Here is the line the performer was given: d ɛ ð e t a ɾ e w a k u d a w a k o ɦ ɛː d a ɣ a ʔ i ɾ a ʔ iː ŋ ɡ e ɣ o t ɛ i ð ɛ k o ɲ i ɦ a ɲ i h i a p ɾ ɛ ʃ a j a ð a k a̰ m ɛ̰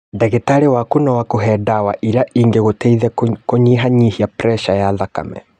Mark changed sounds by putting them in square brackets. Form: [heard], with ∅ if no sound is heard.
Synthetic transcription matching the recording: d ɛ [ɣ] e t a ɾ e w a k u [n] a w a k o ɦ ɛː d a [w] a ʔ i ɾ a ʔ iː ŋ ɡ e ɣ o t ɛ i ð ɛ k o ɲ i ɦ a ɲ i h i a p ɾ ɛ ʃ a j a ð a k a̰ m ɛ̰